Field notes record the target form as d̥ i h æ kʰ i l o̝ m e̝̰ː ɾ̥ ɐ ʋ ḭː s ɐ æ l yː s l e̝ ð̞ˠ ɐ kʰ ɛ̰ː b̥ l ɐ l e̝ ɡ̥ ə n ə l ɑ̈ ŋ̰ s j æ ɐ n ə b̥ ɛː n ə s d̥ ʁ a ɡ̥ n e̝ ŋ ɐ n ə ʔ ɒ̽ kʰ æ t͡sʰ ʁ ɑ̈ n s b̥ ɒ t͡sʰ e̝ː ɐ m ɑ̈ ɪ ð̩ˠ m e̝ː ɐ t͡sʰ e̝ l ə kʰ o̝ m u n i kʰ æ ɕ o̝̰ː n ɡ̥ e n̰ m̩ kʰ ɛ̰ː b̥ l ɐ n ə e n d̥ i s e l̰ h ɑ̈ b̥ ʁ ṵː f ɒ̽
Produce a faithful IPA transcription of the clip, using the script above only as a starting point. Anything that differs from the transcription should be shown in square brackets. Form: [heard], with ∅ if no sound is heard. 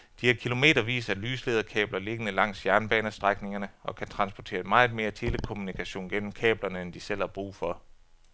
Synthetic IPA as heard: d̥ i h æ kʰ i l o̝ m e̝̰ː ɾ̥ ɐ ʋ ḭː s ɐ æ l yː s l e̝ ð̞ˠ ɐ kʰ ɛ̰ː b̥ l ɐ l e̝ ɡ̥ ə n ə l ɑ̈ ŋ̰ s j æ ɐ n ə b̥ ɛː n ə s d̥ ʁ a ɡ̥ n e̝ ŋ ɐ n ə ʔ ɒ̽ kʰ æ t͡sʰ ʁ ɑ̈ n s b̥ ɒ t͡sʰ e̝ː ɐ m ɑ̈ ɪ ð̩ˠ m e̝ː ɐ t͡sʰ e̝ l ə kʰ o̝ m u n i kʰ æ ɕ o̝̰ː n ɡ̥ e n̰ m̩ kʰ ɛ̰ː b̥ l ɐ n ə e n d̥ i s e l̰ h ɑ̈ b̥ ʁ ṵː f ɒ̽